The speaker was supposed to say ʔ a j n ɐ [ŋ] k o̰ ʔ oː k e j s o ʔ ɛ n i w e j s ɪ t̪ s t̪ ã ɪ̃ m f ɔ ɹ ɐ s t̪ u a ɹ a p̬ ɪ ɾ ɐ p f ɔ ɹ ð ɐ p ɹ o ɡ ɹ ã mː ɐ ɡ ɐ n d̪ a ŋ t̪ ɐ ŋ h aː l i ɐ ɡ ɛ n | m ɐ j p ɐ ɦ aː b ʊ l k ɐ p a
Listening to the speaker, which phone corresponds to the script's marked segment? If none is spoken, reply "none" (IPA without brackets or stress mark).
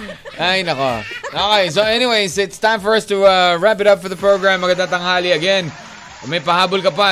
none